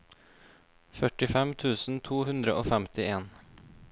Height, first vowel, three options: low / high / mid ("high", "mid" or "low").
mid